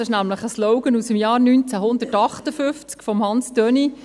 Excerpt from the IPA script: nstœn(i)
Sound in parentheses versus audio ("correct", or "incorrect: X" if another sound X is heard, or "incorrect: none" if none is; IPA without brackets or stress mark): correct